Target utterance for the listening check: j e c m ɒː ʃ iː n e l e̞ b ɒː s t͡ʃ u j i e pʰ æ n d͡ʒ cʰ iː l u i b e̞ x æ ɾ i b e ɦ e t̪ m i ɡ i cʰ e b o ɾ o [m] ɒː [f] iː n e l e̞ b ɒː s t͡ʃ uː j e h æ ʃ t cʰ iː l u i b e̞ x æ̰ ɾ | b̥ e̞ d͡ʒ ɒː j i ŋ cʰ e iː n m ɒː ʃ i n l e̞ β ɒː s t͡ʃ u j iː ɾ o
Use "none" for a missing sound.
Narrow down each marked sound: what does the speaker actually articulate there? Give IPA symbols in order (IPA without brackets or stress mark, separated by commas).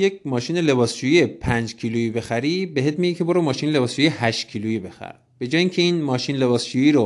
m, ʃ